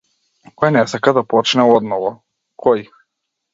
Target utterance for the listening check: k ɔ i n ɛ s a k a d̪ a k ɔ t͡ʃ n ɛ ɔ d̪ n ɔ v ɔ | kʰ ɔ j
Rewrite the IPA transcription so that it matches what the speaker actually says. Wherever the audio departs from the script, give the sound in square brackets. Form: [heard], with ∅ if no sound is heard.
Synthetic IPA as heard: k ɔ [j] n ɛ s a k a d̪ a [p] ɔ t͡ʃ n ɛ ɔ d̪ n ɔ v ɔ | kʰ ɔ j